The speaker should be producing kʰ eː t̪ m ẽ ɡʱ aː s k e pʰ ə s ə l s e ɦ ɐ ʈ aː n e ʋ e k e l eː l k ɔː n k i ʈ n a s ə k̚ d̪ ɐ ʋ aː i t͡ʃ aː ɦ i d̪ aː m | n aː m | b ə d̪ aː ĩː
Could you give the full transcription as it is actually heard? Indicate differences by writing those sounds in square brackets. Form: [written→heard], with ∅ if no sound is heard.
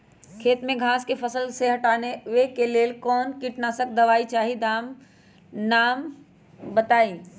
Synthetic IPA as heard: kʰ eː t̪ m ẽ ɡʱ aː s k e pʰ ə s ə l s e ɦ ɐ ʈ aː n e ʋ e k e l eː l k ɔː n k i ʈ n a s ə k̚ d̪ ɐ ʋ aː i t͡ʃ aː ɦ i d̪ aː m | n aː m | b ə [d̪→t̪] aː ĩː

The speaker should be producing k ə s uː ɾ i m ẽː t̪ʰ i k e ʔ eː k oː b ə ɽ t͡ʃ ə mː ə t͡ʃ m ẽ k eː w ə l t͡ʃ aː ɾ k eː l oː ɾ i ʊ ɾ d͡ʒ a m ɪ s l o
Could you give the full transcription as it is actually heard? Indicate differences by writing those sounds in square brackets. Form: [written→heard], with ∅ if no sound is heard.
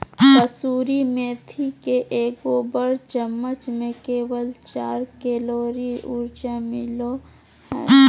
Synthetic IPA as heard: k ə s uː ɾ i m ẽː t̪ʰ i k e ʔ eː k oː b ə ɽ t͡ʃ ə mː ə t͡ʃ m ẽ k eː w ə l t͡ʃ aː ɾ k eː l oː ɾ i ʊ ɾ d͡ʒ a m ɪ [s→∅] l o

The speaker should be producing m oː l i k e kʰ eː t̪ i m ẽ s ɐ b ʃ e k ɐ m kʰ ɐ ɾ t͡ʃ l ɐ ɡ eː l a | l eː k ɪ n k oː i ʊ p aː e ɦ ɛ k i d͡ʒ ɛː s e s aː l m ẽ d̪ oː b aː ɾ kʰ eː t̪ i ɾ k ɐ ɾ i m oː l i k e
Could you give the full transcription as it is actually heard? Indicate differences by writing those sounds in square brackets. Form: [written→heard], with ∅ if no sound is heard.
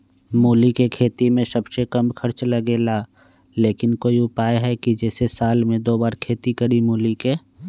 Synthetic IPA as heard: m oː l i k e kʰ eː t̪ i m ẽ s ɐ b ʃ e k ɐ m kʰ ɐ ɾ t͡ʃ l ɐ ɡ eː l a | l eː k ɪ n k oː i ʊ p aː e ɦ ɛ k i d͡ʒ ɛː s e s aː l m ẽ d̪ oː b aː ɾ kʰ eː t̪ i [ɾ→∅] k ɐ ɾ i m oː l i k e

